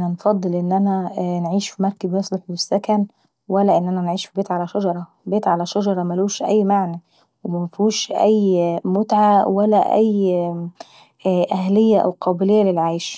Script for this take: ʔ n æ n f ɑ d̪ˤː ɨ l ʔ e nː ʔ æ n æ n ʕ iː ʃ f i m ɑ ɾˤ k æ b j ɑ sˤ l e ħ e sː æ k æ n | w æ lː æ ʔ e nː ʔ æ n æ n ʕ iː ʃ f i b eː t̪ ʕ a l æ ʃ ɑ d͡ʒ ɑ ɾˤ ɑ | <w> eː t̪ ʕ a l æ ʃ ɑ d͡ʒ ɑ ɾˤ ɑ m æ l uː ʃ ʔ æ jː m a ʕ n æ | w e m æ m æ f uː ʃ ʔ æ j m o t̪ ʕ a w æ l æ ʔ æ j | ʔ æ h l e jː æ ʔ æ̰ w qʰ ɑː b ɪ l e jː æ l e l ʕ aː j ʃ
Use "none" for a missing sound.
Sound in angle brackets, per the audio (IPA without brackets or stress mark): b